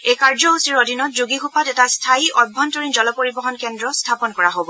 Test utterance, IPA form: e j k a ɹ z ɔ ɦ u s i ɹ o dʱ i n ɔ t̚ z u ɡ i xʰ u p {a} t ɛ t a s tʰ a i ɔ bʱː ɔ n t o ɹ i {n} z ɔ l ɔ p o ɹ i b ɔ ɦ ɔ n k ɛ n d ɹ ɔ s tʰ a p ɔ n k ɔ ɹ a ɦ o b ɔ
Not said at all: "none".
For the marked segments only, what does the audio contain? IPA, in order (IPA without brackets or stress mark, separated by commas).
a, n